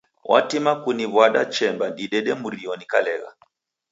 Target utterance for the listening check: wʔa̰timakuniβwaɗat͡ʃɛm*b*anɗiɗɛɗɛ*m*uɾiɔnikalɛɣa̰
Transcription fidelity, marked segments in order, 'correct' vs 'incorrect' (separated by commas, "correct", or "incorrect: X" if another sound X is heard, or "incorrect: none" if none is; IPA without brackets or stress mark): correct, correct